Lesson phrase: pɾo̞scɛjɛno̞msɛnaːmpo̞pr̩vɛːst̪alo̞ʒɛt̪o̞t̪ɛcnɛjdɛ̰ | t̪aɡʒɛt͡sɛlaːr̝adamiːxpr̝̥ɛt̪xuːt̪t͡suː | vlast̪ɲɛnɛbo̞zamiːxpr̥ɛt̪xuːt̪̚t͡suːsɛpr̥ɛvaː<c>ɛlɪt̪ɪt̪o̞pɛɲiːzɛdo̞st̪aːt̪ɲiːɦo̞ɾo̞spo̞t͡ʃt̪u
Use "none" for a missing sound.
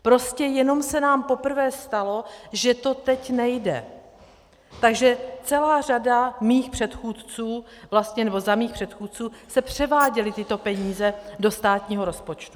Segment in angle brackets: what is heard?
ɟ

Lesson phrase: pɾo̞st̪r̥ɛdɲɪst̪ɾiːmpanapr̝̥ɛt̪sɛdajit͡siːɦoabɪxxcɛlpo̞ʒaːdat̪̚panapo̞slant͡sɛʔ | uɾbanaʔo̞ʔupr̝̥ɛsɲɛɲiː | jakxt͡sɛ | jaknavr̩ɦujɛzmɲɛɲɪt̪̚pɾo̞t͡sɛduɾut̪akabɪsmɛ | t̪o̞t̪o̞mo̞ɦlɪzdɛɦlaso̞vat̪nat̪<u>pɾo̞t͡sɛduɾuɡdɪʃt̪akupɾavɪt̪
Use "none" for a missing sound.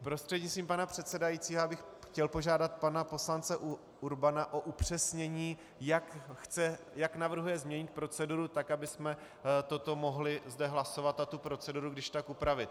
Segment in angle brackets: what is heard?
u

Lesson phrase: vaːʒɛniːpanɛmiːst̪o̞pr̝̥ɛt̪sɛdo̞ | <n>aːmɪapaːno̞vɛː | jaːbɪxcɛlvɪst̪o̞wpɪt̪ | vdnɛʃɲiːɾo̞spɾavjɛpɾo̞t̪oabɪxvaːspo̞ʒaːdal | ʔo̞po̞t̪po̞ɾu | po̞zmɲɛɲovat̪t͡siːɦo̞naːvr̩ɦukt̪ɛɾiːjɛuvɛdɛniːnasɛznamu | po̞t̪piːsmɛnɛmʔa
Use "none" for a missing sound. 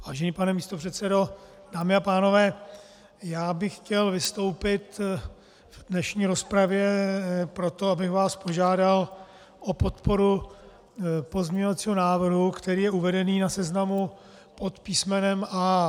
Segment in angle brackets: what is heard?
d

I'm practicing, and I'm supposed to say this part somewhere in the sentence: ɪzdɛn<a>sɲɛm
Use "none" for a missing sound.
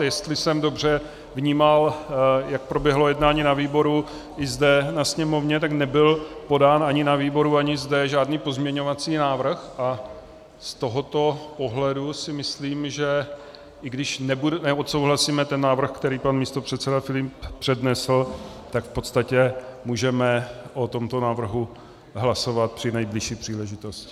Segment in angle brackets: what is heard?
a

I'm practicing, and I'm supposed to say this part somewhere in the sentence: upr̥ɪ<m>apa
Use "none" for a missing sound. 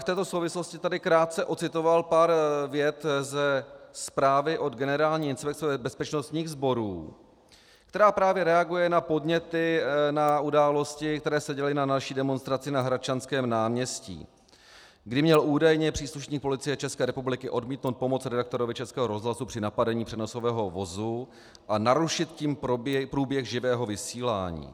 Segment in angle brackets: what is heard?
n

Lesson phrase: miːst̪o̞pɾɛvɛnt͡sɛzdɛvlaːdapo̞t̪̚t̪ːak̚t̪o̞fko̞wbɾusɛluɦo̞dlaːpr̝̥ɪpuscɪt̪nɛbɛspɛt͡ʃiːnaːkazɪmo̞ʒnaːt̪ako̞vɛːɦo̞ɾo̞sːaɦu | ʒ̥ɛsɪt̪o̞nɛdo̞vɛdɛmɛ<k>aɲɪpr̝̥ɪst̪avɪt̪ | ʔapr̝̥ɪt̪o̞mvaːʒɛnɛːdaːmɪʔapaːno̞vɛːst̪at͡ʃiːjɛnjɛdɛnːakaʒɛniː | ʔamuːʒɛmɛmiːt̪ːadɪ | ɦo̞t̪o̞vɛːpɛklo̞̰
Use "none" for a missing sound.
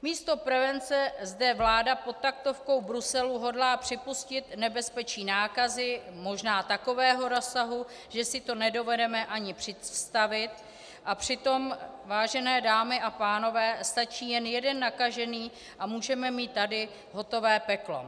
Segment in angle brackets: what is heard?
ʔ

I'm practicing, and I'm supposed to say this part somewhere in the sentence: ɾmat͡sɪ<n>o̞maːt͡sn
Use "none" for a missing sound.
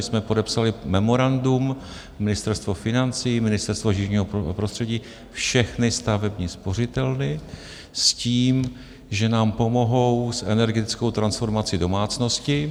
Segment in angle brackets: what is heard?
d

